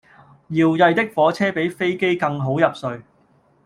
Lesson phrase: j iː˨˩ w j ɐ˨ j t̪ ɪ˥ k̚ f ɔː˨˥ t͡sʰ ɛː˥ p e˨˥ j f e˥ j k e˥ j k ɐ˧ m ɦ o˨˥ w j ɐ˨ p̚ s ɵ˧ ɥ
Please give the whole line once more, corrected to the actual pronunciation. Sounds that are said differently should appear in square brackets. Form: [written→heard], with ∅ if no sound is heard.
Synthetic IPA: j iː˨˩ w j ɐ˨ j t̪ ɪ˥ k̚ f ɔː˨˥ t͡sʰ ɛː˥ p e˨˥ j f e˥ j k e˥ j k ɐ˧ [m→ŋ] ɦ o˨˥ w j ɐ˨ p̚ s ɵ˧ ɥ